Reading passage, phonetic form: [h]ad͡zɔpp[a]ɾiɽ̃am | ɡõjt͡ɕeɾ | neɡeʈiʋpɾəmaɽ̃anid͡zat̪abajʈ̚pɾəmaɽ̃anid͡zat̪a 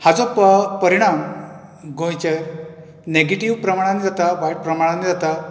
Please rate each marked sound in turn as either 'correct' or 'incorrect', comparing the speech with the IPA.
correct, incorrect: ə

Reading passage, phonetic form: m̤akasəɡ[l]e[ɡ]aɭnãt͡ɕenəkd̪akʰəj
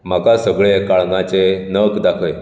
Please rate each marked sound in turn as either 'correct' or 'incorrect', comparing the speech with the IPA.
incorrect: ɭ, incorrect: k

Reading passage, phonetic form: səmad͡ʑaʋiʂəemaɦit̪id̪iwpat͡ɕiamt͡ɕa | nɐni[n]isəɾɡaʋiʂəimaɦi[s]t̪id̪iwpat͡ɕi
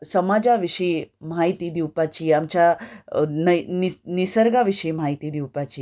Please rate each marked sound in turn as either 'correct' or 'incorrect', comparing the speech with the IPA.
correct, incorrect: none

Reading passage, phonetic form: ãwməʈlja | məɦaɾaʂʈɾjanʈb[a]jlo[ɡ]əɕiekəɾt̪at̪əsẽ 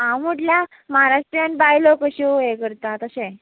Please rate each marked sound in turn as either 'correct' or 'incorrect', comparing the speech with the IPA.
correct, incorrect: k

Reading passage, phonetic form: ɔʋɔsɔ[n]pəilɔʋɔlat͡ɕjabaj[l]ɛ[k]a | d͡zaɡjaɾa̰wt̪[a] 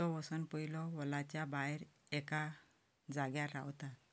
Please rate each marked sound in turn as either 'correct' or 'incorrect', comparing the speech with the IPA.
correct, incorrect: ɾ, correct, correct

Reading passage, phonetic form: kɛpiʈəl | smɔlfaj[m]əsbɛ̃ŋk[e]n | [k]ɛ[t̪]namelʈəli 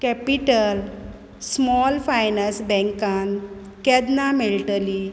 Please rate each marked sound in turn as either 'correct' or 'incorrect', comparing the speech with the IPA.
incorrect: n, incorrect: a, correct, incorrect: d̪

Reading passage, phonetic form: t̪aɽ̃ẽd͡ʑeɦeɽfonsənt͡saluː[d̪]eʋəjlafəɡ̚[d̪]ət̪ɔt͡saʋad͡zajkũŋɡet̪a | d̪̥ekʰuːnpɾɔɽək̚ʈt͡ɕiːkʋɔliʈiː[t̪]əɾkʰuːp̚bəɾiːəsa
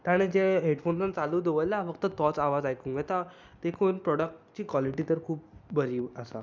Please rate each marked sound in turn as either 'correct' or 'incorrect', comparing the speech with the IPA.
correct, incorrect: t̪, correct

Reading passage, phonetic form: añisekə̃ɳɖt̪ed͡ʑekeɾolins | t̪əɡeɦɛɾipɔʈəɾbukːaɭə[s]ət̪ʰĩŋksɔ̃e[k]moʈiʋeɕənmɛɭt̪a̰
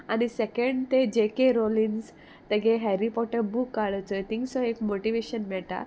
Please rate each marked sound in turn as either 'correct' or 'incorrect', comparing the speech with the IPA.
incorrect: t͡s, correct

